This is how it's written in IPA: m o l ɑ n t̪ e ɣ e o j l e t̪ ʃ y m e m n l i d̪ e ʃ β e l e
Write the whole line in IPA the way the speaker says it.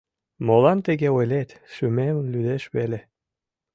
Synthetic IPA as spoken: m o l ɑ n t̪ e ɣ e o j l e t̪ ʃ y m e m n l y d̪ e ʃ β e l e